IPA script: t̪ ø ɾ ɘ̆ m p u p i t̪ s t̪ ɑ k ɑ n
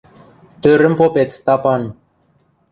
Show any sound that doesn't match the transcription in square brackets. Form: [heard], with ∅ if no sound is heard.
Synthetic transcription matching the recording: t̪ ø ɾ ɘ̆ m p [o] p [e] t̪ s t̪ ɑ [p] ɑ n